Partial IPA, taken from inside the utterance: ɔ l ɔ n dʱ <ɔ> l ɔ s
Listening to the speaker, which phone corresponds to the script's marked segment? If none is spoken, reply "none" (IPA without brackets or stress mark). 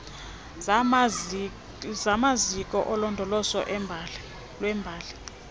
ɔ